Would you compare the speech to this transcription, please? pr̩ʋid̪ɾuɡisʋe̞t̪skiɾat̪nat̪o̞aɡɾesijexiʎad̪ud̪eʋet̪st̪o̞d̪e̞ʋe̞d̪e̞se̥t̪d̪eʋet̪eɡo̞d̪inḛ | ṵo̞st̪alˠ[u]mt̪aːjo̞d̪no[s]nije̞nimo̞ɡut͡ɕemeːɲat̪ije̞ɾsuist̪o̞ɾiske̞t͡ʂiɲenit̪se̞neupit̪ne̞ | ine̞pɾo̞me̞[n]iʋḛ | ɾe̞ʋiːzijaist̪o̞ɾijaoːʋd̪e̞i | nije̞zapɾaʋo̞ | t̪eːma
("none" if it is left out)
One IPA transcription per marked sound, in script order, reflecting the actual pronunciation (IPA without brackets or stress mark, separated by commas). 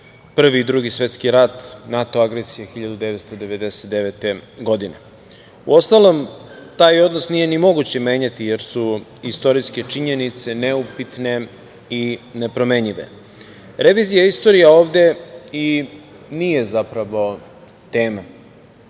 o, s, ɲ